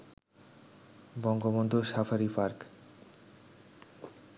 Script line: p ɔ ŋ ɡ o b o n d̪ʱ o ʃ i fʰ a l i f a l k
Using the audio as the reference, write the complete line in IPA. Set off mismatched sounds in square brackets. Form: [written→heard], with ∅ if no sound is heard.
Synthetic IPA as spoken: [p→b] ɔ ŋ ɡ o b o n d̪ʱ o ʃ [i→a] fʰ a [l→ɾ] i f a [l→ɾ] k